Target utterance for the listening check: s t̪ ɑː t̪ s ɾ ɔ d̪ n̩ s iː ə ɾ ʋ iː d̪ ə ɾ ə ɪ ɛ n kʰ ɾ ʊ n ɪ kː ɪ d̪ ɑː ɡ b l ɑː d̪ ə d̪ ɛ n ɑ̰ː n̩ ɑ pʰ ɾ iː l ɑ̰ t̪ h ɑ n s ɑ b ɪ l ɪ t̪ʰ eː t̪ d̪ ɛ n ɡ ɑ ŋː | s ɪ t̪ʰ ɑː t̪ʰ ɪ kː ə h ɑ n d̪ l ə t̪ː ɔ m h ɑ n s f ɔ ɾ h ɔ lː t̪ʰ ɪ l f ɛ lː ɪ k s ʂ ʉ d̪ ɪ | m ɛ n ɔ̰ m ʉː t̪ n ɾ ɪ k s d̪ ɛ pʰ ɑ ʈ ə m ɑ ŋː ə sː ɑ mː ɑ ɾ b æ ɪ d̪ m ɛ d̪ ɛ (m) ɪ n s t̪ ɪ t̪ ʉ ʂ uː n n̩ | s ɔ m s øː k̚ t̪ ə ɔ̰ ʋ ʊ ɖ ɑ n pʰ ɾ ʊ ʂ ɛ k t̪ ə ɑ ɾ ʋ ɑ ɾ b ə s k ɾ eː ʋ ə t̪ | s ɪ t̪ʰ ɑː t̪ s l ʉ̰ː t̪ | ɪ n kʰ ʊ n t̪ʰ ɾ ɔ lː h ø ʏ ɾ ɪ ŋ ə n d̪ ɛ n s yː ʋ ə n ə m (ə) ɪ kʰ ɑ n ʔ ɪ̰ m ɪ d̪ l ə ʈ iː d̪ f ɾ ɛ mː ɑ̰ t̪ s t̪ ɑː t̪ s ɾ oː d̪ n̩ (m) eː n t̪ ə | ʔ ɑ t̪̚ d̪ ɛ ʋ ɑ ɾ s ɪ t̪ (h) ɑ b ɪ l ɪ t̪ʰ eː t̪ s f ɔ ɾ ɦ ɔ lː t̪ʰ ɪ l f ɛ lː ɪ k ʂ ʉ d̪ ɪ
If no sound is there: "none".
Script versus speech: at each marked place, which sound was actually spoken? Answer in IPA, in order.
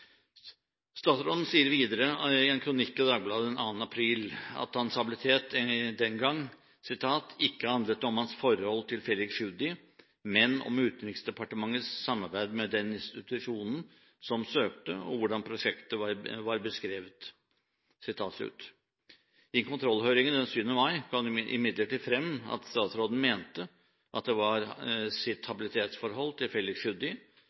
n, ɑ, m, h

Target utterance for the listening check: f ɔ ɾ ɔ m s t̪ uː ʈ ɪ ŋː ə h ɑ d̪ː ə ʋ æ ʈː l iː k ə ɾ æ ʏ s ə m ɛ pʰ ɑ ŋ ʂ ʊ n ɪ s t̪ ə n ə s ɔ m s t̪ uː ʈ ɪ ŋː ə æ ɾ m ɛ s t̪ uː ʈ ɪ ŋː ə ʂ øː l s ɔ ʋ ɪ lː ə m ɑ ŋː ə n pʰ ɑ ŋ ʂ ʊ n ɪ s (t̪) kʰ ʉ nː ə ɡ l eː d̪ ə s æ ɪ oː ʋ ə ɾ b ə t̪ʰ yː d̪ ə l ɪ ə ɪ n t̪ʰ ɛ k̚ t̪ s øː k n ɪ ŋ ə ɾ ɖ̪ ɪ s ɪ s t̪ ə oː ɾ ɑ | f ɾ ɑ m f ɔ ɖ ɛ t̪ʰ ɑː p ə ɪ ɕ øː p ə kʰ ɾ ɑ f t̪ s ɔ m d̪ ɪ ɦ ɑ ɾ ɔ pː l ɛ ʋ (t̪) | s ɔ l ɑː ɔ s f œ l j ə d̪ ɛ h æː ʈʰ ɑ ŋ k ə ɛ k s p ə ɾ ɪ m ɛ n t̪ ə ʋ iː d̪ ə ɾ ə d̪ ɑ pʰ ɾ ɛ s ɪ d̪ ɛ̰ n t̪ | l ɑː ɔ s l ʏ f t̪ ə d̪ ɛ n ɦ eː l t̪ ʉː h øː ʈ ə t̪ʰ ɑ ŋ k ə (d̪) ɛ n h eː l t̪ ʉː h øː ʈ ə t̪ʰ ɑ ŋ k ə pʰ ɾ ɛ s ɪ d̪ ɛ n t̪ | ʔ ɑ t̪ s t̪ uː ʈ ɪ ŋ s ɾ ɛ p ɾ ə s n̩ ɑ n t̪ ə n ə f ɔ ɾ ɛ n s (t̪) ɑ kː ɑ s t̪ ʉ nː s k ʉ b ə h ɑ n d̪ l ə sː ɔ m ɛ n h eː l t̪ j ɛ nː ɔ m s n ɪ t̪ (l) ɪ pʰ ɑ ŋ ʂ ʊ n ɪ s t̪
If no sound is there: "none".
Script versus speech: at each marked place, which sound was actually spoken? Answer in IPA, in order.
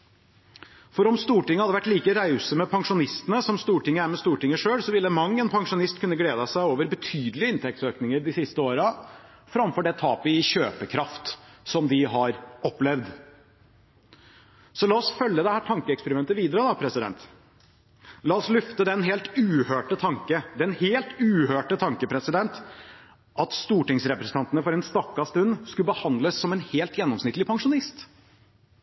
t̪, d̪, d̪, t̪, l

